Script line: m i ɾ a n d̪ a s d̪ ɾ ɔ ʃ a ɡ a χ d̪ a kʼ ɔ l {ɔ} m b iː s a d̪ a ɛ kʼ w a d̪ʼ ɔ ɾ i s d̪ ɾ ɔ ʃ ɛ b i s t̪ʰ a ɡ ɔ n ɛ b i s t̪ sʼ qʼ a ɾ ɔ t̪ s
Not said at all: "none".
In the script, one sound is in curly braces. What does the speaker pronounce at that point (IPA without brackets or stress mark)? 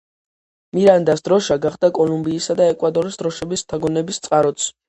u